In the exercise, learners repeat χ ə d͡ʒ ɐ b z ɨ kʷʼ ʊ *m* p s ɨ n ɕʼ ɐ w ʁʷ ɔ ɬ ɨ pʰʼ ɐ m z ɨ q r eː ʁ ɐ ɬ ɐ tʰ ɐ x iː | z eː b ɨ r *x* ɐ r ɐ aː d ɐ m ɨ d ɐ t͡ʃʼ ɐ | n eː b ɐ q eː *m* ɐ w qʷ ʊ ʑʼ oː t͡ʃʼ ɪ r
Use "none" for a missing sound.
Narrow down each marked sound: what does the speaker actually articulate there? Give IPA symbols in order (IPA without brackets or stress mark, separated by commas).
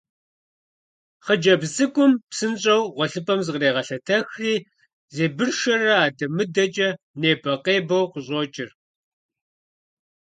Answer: m, ʃ, b